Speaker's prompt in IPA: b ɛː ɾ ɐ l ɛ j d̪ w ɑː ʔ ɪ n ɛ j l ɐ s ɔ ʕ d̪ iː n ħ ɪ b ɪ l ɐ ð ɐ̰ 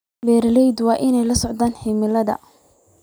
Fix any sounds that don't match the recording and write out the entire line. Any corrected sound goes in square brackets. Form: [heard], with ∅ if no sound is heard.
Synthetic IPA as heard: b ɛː ɾ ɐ l ɛ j d̪ w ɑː ʔ ɪ n ɛ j l ɐ s ɔ ʕ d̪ [aː] n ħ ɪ [m] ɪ l ɐ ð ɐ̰